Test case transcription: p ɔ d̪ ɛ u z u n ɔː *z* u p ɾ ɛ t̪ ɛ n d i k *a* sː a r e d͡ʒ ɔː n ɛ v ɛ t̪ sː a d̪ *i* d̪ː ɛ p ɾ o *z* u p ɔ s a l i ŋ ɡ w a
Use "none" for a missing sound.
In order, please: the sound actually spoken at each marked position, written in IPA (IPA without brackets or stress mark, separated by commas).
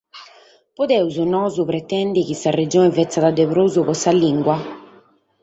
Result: z, i, a, z